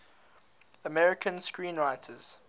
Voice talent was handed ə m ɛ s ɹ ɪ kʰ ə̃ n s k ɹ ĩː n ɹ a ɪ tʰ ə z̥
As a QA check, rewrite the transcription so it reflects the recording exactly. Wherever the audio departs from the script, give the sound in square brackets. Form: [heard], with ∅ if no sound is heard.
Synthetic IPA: ə m ɛ [∅] ɹ ɪ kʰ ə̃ n s k ɹ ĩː n ɹ a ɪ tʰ ə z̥

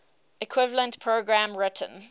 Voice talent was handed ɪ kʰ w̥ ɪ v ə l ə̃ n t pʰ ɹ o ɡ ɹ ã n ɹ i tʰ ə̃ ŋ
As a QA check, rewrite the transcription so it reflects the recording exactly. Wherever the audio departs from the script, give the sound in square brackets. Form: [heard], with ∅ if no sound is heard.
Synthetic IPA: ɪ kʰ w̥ ɪ v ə l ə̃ n t pʰ ɹ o ɡ ɹ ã [m] ɹ [ɪ] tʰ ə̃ [n]

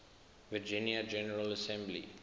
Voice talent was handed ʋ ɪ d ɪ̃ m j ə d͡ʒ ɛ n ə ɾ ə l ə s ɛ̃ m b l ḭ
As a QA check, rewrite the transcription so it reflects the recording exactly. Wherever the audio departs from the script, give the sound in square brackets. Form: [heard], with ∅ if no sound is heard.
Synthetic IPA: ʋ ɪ [d͡ʒ] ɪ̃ [n] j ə d͡ʒ ɛ n ə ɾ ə l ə s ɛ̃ m b l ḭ

